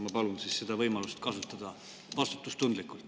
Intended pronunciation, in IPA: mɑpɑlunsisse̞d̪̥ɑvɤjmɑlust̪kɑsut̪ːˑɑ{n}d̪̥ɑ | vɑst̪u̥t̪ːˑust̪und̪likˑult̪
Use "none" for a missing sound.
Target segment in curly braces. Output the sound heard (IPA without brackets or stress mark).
none